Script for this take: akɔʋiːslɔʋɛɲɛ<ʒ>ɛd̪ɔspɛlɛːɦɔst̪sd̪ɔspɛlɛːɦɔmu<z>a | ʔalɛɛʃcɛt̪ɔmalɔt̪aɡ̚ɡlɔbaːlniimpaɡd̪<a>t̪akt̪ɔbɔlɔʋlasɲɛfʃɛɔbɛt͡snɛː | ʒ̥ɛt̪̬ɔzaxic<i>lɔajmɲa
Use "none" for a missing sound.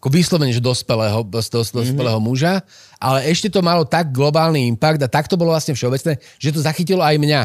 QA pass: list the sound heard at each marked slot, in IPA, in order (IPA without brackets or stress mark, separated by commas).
ʒ, ʒ, a, i